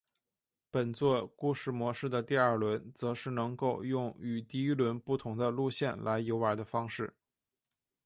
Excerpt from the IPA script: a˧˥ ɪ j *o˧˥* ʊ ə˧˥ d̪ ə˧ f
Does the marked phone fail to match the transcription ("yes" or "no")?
no